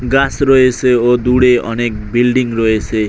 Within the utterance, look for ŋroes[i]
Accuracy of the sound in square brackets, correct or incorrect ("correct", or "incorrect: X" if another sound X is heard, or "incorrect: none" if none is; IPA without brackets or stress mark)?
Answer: incorrect: e